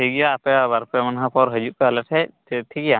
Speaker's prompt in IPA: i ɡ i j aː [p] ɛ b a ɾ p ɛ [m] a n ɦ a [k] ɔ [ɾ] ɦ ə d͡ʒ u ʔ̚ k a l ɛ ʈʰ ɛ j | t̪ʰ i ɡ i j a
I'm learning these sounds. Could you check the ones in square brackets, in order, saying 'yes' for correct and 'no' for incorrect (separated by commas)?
yes, yes, no, yes